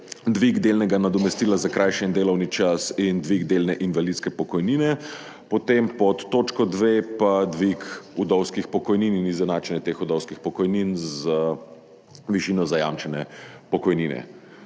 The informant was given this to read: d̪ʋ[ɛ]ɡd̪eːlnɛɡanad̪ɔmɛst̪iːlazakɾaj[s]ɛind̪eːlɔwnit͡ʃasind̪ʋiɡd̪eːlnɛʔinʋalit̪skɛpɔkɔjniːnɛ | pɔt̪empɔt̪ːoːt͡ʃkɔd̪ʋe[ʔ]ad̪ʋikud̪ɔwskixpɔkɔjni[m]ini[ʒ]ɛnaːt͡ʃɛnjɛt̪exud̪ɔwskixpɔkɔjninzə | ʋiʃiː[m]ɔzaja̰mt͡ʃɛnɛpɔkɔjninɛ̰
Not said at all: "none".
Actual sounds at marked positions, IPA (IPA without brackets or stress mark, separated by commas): i, ʃ, p, n, z, n